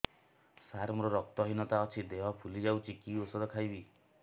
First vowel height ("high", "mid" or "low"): low